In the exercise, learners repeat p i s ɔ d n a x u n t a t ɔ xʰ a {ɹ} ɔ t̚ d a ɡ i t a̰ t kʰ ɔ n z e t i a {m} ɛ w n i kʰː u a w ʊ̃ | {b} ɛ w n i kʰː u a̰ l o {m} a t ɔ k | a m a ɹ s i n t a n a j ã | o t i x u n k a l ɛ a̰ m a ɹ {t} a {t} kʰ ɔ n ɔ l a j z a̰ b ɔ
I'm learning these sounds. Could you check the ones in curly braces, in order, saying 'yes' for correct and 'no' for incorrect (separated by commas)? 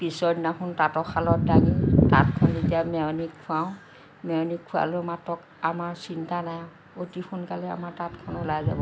no, yes, no, yes, yes, yes